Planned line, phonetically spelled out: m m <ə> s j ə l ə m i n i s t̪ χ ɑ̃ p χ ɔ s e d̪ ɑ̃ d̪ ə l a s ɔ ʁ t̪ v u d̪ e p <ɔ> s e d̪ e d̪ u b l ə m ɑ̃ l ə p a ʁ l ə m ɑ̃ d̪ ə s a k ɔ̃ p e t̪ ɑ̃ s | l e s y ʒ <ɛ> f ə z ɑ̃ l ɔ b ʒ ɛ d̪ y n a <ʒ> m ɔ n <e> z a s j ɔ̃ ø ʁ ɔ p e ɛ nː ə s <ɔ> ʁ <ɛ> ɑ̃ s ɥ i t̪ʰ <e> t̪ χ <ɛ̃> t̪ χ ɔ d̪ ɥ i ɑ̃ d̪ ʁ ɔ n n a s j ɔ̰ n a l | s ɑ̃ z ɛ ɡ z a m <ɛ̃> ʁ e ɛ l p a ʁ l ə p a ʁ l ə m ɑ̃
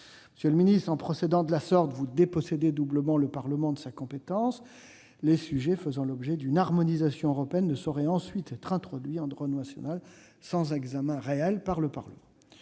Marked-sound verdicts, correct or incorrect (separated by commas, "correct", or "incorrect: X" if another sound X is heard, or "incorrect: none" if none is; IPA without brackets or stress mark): correct, correct, correct, incorrect: ʁ, incorrect: i, correct, correct, incorrect: ɛ, correct, correct